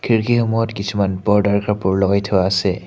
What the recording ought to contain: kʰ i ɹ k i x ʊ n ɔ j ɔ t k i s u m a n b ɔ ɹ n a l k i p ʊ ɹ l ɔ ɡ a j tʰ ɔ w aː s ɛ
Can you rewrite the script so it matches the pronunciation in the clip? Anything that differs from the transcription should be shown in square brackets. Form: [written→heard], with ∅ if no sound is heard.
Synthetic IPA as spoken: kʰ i ɹ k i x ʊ [n→m] ɔ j ɔ t k i s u m a n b ɔ ɹ [n→d] a [l→ɹ] k [i→a] p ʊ ɹ l ɔ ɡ a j tʰ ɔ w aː s ɛ